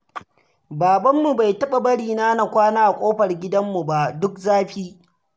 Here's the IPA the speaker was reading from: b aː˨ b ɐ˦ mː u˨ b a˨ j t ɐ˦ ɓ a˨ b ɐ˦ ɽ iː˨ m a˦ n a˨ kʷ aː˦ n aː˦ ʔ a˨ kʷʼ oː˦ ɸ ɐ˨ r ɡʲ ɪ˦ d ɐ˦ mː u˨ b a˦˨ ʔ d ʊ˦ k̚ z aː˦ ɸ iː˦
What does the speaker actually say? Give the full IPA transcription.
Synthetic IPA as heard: b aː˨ b ɐ˦ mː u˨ b a˨ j t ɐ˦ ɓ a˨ b ɐ˦ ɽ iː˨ n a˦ n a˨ kʷ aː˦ n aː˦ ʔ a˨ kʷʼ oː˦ ɸ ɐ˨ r ɡʲ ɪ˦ d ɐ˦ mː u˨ b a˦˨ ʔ d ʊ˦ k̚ z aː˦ ɸ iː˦